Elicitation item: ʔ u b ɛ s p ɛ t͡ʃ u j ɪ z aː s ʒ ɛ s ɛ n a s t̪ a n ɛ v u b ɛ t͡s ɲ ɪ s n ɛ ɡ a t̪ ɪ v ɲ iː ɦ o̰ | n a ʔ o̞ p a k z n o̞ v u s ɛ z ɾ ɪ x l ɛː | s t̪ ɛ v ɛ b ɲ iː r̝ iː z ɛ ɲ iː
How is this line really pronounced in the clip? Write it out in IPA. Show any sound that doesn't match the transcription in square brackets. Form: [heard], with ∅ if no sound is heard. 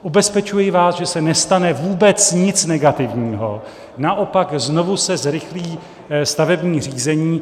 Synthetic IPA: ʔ u b ɛ s p ɛ t͡ʃ u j ɪ [v] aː s ʒ ɛ s ɛ n [ɛ] s t̪ a n ɛ v [uː] b ɛ t͡s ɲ ɪ [t͡s] n ɛ ɡ a t̪ ɪ v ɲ iː ɦ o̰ | n a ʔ o̞ p a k z n o̞ v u s ɛ z ɾ ɪ x l [iː] | s t̪ [a] v ɛ b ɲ iː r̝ iː z ɛ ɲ iː